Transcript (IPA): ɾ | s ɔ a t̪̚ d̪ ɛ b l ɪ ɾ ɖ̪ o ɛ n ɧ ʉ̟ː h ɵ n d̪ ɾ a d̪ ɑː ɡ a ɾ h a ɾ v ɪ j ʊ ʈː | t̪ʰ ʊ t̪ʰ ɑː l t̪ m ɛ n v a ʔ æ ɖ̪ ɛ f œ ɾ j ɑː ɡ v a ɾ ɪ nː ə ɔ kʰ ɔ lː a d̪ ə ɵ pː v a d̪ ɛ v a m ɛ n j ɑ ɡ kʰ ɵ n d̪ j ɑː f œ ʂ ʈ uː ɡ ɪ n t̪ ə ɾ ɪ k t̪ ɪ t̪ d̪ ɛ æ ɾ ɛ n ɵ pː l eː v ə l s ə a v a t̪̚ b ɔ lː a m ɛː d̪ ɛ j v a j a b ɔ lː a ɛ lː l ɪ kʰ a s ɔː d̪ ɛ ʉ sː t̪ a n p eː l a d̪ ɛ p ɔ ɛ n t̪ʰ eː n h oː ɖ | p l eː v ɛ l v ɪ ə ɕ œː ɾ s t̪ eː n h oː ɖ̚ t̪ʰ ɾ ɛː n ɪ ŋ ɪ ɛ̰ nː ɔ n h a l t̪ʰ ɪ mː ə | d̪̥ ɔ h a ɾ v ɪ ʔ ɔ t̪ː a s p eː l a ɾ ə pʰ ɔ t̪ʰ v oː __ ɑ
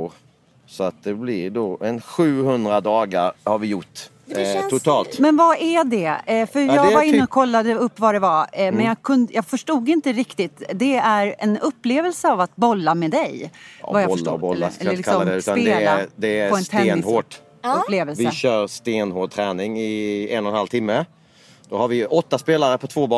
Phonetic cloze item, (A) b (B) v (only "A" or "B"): A